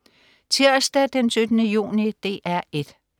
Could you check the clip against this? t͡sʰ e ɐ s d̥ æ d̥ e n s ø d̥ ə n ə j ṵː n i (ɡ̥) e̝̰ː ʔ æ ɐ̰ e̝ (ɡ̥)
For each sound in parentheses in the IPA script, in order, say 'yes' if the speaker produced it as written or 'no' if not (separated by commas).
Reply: no, no